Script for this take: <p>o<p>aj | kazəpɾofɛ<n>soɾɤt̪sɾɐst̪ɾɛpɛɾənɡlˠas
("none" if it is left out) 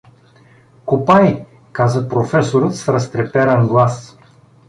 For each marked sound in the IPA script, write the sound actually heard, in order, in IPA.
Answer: k, p, none

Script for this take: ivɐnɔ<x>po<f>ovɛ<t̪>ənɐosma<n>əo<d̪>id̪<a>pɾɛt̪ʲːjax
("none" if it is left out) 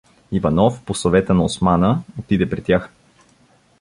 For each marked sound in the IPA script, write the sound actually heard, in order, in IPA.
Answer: f, s, t̪, n, t̪, ɛ

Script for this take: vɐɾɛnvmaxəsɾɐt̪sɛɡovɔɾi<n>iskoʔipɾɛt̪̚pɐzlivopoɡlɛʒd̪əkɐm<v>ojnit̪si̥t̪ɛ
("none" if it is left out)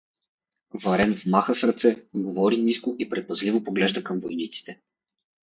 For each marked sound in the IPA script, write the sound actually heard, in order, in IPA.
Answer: n, v

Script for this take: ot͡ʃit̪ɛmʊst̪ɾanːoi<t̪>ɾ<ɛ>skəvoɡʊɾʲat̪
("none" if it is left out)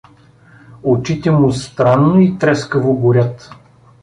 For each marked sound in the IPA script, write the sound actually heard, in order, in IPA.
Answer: t̪, ɛ

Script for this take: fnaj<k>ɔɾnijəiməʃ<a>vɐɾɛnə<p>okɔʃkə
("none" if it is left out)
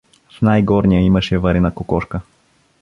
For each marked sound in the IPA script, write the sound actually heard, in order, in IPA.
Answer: ɡ, ɛ, k

